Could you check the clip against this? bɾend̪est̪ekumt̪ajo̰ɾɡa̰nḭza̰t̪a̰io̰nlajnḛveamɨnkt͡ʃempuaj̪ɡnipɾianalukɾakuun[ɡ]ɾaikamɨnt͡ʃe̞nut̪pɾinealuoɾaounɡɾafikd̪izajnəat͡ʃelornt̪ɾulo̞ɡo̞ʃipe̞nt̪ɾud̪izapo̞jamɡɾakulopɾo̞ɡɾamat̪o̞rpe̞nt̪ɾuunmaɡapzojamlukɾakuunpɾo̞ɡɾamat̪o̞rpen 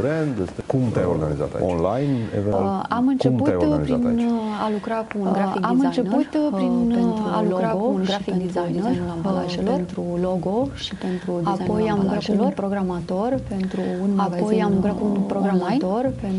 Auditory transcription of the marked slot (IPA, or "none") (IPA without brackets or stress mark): ɡ